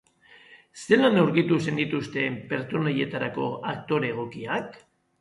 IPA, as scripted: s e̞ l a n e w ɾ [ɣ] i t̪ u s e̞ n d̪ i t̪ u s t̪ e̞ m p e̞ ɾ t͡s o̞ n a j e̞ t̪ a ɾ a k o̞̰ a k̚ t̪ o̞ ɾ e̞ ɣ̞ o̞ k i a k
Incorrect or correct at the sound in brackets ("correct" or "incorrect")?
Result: correct